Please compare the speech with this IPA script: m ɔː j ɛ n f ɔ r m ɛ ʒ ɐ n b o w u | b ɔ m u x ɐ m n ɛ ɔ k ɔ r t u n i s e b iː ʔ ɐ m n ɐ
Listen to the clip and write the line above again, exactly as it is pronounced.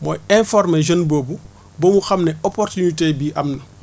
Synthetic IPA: m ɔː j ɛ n f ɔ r m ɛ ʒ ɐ n b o b u | b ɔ m u x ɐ m n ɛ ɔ p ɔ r t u n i t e b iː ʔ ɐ m n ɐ